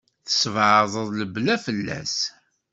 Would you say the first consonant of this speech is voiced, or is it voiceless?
voiceless